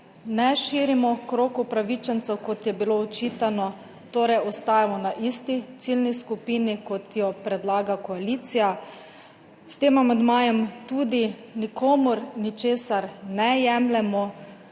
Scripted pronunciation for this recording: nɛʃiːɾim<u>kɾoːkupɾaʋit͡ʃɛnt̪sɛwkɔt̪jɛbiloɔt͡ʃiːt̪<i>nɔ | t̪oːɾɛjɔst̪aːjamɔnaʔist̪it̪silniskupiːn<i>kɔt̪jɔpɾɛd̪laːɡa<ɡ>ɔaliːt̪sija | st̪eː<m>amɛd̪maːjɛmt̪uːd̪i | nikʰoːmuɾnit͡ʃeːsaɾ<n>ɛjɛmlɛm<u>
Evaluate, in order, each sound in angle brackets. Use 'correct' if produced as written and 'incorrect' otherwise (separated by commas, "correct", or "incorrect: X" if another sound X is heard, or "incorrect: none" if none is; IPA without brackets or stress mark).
incorrect: ɔ, incorrect: a, correct, incorrect: k, correct, correct, incorrect: ɔ